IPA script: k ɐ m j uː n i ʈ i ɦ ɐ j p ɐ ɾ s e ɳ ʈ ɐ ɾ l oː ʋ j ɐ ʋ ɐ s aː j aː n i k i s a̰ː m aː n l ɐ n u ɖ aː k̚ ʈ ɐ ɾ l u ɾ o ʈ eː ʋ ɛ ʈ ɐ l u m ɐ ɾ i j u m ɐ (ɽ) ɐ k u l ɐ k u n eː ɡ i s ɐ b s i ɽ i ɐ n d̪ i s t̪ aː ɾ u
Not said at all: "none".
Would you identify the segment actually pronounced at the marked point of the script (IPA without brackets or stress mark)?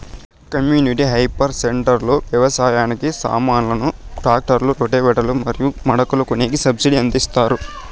ɽ